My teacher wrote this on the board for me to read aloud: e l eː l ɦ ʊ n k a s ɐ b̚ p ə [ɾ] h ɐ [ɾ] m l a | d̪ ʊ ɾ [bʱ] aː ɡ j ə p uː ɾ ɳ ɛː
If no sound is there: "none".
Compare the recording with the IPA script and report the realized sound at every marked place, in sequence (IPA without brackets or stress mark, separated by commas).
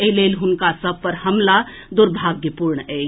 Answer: ɾ, none, bʱ